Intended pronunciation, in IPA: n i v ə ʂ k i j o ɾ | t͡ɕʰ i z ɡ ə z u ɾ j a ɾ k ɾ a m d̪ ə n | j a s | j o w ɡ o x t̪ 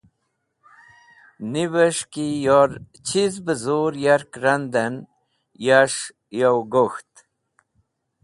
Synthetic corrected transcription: n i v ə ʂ k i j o ɾ | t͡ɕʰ i z b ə z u ɾ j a ɾ k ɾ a n d̪ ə n | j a ʂ | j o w ɡ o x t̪